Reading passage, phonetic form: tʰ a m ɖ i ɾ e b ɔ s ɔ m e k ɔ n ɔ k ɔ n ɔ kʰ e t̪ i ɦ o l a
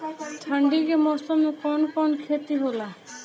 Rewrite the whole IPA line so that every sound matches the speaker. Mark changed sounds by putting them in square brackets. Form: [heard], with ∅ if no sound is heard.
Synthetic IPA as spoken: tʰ a [ɳ] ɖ i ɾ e [m] ɔ s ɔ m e k ɔ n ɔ k ɔ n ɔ kʰ e t̪ i ɦ o l a